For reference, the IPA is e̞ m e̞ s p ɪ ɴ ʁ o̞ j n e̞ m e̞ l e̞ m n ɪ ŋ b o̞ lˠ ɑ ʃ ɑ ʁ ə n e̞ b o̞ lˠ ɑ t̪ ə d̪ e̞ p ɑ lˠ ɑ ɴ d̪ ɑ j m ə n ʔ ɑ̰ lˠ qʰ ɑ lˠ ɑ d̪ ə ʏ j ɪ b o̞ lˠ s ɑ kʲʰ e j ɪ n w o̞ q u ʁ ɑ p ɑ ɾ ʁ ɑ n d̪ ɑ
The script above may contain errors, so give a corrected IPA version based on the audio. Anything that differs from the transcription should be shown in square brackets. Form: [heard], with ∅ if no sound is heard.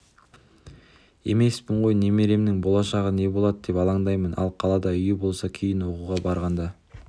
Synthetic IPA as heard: e̞ m e̞ s p ɪ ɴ ʁ o̞ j n e̞ m e̞ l e̞ m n ɪ ŋ b o̞ lˠ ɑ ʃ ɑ ʁ ə n e̞ b o̞ lˠ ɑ [d̪] ə d̪ e̞ p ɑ lˠ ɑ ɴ d̪ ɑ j m ə n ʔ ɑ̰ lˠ qʰ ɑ lˠ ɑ d̪ [ɑ] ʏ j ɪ b o̞ lˠ s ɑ kʲʰ e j ɪ n w o̞ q u ʁ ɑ [b] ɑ ɾ ʁ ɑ n d̪ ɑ

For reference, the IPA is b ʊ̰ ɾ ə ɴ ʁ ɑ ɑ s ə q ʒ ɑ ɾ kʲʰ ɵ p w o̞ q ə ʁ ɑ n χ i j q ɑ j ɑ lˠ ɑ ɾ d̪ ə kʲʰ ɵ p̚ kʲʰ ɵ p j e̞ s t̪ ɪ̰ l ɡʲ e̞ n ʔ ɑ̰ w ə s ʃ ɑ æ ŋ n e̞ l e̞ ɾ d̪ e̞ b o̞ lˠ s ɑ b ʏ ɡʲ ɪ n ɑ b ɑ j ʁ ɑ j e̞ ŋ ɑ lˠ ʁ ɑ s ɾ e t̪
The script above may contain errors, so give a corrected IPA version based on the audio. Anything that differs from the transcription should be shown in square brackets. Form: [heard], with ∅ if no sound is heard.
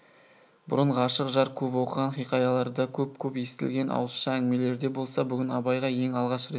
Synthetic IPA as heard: b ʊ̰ ɾ ə ɴ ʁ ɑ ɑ [ʃ] ə q ʒ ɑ ɾ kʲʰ ɵ p w o̞ q ə ʁ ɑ n χ i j q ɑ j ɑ lˠ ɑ ɾ d̪ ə kʲʰ ɵ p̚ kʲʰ ɵ p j e̞ s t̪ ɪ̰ l ɡʲ e̞ n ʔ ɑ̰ w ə s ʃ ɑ æ ŋ [m] e̞ l e̞ ɾ d̪ e̞ b o̞ lˠ s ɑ b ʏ ɡʲ ɪ n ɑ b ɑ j ʁ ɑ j e̞ ŋ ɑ lˠ ʁ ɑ [ʃ] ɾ e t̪

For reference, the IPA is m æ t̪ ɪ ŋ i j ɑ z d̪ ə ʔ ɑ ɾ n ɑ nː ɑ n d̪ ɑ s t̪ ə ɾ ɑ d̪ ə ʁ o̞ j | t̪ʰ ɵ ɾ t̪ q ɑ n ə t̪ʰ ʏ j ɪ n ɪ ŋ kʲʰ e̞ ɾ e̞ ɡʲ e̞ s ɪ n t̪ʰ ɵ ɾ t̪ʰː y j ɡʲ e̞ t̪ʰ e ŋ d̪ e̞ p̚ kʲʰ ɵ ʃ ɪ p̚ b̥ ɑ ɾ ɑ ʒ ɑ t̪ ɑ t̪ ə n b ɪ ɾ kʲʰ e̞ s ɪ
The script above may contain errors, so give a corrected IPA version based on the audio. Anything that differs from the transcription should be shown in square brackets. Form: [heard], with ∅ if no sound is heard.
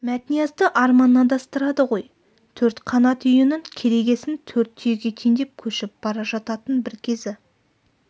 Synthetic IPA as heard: m æ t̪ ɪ [n] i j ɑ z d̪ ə ʔ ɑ ɾ [m] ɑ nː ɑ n d̪ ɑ s t̪ ə ɾ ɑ d̪ ə ʁ o̞ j | t̪ʰ ɵ ɾ t̪ [qʰ] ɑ n [ɑ] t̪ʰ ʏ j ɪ n ɪ ŋ kʲʰ e̞ ɾ e̞ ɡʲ e̞ s ɪ n t̪ʰ ɵ ɾ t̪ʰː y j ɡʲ e̞ t̪ʰ e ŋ d̪ e̞ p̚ kʲʰ ɵ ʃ ɪ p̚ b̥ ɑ ɾ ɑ ʒ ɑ t̪ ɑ t̪ ə n b ɪ ɾ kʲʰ e̞ [z] ɪ

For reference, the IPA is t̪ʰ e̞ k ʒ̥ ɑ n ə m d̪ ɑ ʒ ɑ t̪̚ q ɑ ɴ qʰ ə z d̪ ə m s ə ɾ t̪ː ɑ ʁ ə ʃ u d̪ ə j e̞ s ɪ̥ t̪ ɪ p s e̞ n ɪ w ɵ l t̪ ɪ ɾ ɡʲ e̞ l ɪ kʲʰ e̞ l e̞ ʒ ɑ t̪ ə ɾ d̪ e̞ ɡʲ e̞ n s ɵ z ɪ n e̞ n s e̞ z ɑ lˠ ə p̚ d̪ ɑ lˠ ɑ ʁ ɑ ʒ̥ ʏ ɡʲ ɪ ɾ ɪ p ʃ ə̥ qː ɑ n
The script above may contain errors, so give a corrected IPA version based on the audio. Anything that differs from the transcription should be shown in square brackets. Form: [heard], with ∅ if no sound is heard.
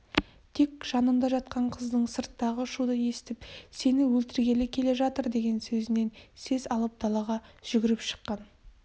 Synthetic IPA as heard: t̪ʰ e̞ k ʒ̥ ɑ n ə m d̪ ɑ ʒ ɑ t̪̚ q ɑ ɴ qʰ ə z d̪ ə [ɴ] s ə ɾ t̪ː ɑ ʁ ə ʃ u d̪ ə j e̞ s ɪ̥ t̪ ɪ p s e̞ n ɪ w ɵ l t̪ ɪ ɾ ɡʲ e̞ l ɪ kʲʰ e̞ l e̞ ʒ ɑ t̪ ə ɾ d̪ e̞ ɡʲ e̞ n s ɵ z ɪ n e̞ n s e̞ z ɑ lˠ ə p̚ d̪ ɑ lˠ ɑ ʁ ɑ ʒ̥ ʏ ɡʲ ɪ ɾ ɪ p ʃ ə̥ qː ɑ n

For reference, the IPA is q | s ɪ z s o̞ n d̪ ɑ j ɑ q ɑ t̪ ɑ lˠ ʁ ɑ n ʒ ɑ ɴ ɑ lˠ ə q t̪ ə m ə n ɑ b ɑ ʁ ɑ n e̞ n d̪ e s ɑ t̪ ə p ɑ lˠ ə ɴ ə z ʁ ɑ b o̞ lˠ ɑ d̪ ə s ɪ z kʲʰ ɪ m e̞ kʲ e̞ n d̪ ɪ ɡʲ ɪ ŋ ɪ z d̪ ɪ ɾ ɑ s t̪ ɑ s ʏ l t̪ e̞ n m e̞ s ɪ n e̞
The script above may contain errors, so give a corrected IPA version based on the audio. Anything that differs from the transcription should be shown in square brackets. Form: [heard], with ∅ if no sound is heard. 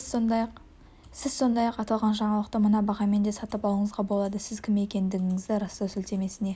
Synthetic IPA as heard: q | s ɪ z s o̞ n d̪ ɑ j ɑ q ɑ t̪ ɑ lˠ ʁ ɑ n ʒ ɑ ɴ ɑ lˠ ə q t̪ ə m ə n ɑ b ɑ ʁ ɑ [m] e̞ n d̪ e s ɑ t̪ ə p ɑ lˠ ə ɴ ə z ʁ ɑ b o̞ lˠ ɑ d̪ ə s ɪ z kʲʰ ɪ m e̞ kʲ e̞ n d̪ ɪ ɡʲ ɪ ŋ ɪ z d̪ ɪ ɾ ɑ s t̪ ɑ s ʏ l t̪ e̞ [∅] m e̞ s ɪ n e̞

